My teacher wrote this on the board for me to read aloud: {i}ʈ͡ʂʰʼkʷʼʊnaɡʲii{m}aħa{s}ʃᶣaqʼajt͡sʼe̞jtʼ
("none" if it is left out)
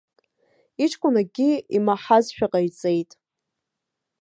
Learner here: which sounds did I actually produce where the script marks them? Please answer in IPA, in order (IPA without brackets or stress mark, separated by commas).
i, m, z